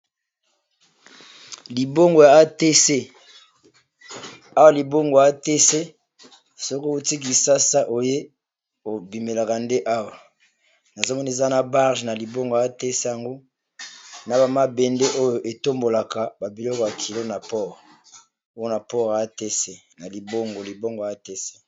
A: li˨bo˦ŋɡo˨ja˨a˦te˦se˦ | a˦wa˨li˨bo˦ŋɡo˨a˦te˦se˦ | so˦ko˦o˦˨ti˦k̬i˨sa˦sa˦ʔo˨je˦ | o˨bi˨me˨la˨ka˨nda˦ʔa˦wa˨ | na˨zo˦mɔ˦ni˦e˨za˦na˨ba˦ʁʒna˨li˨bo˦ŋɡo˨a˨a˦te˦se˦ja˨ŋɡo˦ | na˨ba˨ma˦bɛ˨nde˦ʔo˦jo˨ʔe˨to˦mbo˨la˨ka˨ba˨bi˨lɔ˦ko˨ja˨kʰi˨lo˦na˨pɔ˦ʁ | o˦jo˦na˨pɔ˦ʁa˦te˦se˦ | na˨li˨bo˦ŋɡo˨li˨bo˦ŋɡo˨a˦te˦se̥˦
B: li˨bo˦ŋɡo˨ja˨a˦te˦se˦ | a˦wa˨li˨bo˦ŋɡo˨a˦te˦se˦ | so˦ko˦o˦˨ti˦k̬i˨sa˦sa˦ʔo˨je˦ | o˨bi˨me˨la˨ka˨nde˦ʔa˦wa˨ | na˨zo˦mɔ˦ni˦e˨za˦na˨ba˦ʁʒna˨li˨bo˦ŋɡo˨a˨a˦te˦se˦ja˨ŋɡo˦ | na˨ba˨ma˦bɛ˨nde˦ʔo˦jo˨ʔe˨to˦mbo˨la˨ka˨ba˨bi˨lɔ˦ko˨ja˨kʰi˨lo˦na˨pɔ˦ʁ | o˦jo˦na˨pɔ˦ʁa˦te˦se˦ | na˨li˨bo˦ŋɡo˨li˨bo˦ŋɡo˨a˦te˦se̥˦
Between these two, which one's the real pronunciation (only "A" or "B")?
B